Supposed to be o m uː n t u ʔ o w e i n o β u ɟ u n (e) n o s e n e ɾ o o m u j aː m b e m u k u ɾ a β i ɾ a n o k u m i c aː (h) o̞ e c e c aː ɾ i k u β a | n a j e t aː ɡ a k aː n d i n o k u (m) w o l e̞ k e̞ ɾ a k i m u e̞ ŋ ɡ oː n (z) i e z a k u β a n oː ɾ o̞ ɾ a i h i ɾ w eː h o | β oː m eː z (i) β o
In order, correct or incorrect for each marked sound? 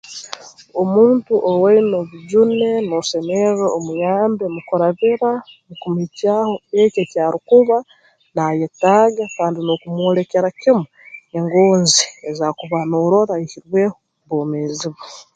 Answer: correct, correct, correct, correct, correct

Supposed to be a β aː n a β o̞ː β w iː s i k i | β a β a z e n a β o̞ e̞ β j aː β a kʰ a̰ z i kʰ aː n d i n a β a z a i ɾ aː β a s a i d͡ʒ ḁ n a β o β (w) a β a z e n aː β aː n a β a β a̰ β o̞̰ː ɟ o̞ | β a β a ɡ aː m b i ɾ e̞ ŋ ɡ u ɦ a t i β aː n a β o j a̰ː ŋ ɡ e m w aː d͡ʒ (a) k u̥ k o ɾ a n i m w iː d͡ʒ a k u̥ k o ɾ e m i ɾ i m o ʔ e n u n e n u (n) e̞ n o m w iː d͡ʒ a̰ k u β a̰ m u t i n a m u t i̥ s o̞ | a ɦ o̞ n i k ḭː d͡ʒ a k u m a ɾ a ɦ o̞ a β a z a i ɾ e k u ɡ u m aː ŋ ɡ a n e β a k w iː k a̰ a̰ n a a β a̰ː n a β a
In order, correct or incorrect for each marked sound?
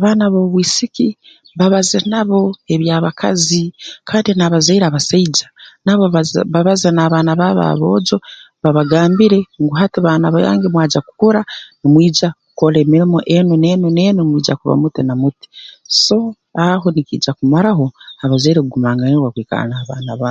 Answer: incorrect: β, correct, correct

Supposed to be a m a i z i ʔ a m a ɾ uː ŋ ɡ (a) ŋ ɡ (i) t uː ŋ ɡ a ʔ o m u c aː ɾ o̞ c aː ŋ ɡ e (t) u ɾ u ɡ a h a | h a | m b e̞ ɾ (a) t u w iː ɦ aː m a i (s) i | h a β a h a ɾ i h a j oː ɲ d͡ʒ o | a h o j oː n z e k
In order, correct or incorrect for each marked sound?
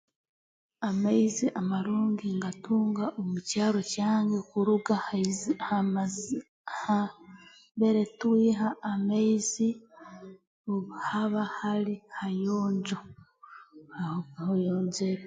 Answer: incorrect: i, incorrect: a, incorrect: k, incorrect: e, incorrect: z

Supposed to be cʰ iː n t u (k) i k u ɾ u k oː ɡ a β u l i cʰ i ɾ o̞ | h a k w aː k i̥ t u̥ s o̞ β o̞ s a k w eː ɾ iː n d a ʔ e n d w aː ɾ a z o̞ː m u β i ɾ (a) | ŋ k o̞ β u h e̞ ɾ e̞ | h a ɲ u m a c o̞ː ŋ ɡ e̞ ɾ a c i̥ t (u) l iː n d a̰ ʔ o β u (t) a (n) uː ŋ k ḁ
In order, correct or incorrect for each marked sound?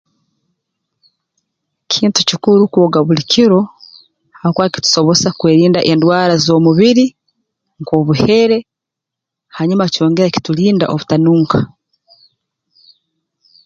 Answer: incorrect: c, incorrect: i, correct, correct, correct

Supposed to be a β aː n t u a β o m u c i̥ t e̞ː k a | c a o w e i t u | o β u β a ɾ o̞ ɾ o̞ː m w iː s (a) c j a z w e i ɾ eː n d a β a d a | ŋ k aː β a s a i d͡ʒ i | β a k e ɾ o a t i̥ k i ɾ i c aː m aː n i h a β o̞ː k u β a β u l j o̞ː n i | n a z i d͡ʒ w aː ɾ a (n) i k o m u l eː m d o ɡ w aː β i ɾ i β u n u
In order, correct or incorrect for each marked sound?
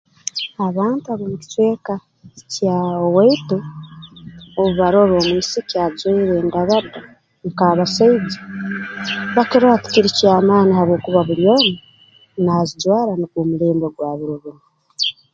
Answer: incorrect: i, correct

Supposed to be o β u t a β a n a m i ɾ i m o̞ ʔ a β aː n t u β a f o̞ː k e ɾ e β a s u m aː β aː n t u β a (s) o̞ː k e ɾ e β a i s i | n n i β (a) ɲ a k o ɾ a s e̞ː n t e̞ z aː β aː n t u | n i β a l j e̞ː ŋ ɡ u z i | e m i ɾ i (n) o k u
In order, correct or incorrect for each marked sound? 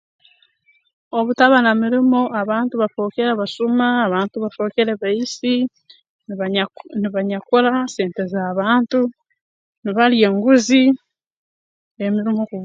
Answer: incorrect: f, correct, incorrect: m

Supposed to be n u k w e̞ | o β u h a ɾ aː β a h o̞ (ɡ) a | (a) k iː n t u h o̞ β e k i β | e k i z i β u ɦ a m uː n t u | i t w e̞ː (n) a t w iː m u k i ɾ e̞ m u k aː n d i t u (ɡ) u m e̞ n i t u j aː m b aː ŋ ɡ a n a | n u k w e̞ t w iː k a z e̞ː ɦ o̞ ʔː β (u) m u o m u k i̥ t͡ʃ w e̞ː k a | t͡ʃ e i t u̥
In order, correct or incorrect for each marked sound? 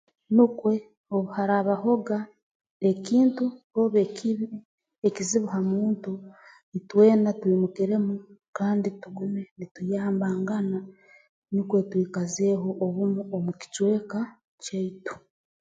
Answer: correct, incorrect: e, correct, correct, correct

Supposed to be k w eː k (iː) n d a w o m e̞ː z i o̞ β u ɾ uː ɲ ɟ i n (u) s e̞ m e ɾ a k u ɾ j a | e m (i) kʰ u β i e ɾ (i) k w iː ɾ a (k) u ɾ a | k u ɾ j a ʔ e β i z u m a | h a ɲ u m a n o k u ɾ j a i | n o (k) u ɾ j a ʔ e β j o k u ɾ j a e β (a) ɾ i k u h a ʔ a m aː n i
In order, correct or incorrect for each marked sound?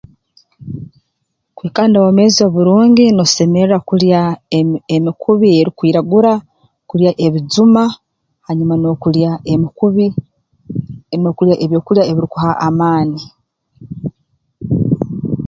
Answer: incorrect: aː, incorrect: o, correct, correct, incorrect: ɡ, correct, incorrect: i

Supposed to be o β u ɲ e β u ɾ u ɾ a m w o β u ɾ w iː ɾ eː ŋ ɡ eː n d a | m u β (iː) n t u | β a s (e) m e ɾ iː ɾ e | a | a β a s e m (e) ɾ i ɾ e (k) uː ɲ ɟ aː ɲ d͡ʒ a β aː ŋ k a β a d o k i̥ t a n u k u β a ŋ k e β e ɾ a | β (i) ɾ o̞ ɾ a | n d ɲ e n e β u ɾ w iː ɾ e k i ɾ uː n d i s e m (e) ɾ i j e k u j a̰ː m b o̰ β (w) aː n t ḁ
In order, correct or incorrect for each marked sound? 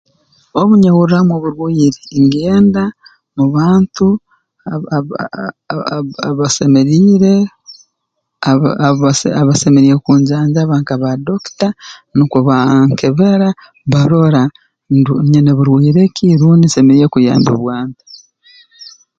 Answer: incorrect: aː, correct, correct, correct, incorrect: a, correct, correct

